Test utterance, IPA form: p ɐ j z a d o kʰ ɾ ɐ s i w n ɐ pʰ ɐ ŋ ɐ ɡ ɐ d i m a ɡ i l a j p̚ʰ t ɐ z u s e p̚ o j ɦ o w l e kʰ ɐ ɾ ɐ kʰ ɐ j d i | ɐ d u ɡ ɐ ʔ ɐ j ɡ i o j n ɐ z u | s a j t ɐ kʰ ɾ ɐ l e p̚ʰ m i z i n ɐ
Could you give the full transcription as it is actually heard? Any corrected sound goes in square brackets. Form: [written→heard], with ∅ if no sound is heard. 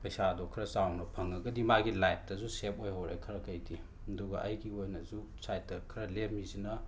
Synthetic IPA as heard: p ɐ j [z→s] a d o kʰ ɾ ɐ s [i→a] w n ɐ pʰ ɐ ŋ ɐ ɡ ɐ d i m a ɡ i l a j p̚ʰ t ɐ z u s e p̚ o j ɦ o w [l→ɾ] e kʰ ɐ ɾ ɐ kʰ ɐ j d i | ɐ d u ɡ ɐ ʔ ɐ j ɡ i o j n ɐ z u | s a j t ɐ kʰ ɾ ɐ l e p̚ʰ m i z i n ɐ

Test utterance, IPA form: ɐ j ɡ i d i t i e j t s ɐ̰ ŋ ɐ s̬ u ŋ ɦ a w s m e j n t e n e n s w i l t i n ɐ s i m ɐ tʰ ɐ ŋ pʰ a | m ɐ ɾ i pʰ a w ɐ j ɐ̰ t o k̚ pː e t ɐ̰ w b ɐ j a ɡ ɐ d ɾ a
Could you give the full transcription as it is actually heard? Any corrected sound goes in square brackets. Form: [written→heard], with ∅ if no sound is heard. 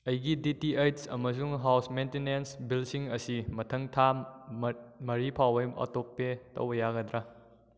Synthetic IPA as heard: ɐ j ɡ i d i t i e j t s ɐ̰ [ŋ→m] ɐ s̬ u ŋ ɦ a w s m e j n t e n e n s [w→b] i l [t→s] i [n→ŋ] ɐ s i m ɐ tʰ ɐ ŋ [pʰ→tʰ] a | m ɐ ɾ i pʰ a w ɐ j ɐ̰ t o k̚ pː e t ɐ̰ w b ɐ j a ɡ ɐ d ɾ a

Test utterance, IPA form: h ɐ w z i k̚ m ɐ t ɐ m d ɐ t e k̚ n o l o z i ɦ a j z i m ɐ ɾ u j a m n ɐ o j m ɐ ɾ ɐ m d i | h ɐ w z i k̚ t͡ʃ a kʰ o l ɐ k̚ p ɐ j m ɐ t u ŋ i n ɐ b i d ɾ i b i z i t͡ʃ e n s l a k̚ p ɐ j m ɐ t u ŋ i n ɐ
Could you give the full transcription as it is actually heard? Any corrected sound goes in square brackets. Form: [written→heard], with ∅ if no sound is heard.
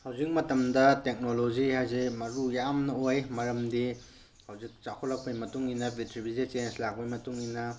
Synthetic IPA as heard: h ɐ w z i k̚ m ɐ t ɐ m d ɐ t e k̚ n o l o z i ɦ a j z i m ɐ ɾ u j a m n ɐ o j m ɐ ɾ ɐ m d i | h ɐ w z i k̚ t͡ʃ a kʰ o l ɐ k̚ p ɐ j m ɐ t u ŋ i n ɐ b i [d→t] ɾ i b i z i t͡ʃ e n s l a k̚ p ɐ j m ɐ t u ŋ i n ɐ

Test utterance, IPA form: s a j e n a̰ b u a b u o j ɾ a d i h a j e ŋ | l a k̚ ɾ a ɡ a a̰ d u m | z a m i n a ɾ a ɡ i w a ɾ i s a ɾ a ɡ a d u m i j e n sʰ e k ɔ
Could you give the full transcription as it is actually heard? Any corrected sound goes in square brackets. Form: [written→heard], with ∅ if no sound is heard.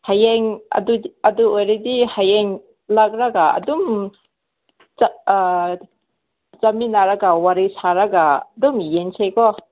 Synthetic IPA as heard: [s→h] a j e [n→ŋ] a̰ [b→d] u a [b→d] u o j ɾ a d i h a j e ŋ | l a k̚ ɾ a ɡ a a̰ d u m | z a m i n a ɾ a ɡ [i→a] w a ɾ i s a ɾ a ɡ a d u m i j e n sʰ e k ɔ

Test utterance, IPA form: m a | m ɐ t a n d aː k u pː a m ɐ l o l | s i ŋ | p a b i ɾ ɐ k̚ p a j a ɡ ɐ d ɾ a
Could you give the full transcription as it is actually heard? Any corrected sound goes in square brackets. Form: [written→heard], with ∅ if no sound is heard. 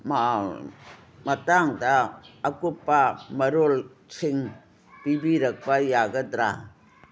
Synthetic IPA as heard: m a | m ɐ t a [n→ŋ] d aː k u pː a m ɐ [l→ɾ] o l | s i ŋ | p [a→i] b i ɾ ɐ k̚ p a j a ɡ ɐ d ɾ a

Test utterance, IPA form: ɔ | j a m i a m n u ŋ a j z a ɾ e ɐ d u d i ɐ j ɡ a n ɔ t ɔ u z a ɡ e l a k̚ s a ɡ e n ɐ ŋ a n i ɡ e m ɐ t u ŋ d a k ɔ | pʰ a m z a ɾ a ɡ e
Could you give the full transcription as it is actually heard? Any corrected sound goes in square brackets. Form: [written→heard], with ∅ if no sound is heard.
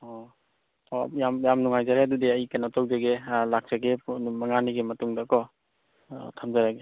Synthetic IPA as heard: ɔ | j a m [i→j] a m n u ŋ a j z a ɾ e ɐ d u d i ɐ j [ɡ→k] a n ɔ t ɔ [u→w] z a ɡ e l a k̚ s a ɡ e [n→m] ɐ ŋ a n i ɡ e m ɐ t u ŋ d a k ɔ | [pʰ→tʰ] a m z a ɾ a ɡ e

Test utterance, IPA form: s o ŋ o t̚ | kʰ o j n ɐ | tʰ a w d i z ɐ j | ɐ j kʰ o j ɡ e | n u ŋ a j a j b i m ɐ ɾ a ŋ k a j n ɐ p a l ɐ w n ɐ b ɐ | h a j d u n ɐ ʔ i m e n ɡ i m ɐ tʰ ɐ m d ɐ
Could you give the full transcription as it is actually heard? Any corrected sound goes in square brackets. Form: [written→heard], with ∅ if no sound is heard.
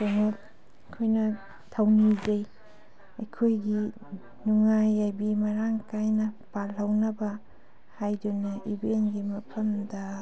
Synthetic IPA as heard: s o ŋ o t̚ | kʰ o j n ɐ | tʰ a w [d→n] i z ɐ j | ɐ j kʰ o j ɡ [e→i] | n u ŋ a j a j b i m ɐ ɾ a ŋ k a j n ɐ p a l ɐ w n ɐ b ɐ | h a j d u n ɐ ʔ i [m→b] e n ɡ i m ɐ [tʰ→pʰ] ɐ m d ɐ

